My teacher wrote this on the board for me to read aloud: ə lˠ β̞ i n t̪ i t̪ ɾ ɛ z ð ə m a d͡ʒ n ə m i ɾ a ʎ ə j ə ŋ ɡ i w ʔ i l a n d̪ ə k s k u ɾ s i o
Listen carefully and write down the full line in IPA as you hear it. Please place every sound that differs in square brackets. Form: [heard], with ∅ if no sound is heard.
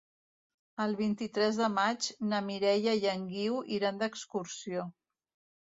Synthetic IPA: ə lˠ β̞ i n t̪ i t̪ ɾ ɛ z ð ə m a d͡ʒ n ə m i ɾ [ɛ] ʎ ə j ə ŋ ɡ i w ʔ i [ɾ] a n d̪ ə k s k u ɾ s i o